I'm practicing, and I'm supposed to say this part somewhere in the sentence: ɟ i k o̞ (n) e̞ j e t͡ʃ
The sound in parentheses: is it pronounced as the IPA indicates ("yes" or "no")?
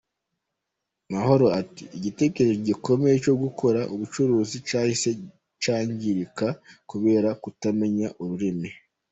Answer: no